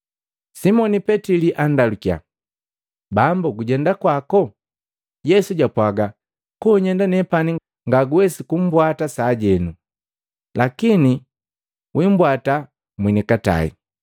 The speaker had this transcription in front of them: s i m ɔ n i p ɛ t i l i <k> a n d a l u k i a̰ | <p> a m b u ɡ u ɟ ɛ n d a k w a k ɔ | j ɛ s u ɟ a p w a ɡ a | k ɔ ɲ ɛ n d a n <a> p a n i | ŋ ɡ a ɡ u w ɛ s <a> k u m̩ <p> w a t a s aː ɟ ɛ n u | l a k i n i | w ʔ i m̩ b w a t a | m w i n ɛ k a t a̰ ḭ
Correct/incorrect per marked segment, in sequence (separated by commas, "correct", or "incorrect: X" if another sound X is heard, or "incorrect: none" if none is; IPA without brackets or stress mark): incorrect: ʔ, incorrect: b, incorrect: ɛ, incorrect: i, incorrect: b